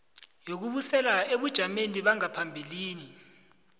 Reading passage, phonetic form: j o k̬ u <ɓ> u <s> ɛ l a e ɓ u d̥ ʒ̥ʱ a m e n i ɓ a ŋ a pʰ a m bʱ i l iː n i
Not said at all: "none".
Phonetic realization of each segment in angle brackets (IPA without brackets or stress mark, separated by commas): ɓ, s